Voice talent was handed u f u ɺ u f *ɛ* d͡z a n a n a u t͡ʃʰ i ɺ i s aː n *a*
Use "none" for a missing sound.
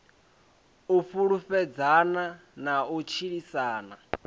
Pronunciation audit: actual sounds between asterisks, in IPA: ɛ, a

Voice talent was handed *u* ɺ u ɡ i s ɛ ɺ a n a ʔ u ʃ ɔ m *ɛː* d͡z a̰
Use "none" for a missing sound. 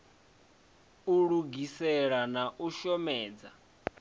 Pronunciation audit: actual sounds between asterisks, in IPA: u, ɛː

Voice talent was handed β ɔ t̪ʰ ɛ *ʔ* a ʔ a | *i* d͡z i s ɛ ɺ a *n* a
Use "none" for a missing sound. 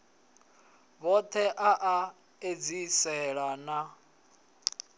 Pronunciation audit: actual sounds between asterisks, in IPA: ʔ, e, n

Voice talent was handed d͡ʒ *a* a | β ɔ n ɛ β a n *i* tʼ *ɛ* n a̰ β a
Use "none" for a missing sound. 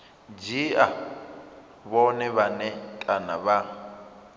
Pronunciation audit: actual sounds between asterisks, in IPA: i, ɛ, a

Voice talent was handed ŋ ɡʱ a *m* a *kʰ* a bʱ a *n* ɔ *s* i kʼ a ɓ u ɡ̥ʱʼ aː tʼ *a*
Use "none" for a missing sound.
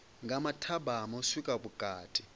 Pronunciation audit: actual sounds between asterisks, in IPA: m, tʰ, m, s, i

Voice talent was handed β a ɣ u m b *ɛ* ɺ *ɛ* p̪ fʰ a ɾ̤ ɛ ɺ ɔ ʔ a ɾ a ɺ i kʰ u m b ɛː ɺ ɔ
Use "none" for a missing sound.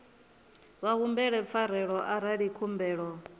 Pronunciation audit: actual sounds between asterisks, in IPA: ɛ, ɛ

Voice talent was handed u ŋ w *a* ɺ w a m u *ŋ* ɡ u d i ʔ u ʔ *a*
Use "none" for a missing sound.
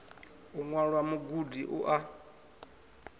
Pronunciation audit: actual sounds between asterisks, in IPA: a, none, a

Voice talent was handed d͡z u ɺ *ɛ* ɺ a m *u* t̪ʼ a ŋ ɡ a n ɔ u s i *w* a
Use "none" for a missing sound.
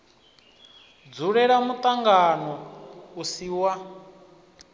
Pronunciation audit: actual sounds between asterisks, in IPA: ɛ, u, w

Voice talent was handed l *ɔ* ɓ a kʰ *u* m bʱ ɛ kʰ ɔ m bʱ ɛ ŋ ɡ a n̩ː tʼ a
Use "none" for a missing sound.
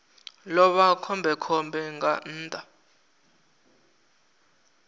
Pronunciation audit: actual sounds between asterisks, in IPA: ɔ, ɔ

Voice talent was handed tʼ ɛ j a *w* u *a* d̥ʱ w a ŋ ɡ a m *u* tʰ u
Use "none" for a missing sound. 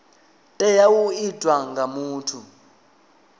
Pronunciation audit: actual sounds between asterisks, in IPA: w, i, uː

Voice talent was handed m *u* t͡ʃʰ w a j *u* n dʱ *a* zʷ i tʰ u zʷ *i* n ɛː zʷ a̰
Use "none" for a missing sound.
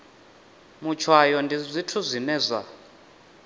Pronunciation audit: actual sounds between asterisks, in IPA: u, ɔ, i, i

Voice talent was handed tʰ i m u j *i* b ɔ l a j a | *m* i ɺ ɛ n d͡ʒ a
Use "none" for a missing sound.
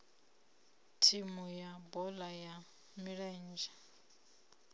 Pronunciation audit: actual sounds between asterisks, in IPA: a, m

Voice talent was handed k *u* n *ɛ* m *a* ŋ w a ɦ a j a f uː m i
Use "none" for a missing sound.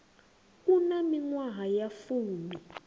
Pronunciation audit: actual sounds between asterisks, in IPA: u, a, i

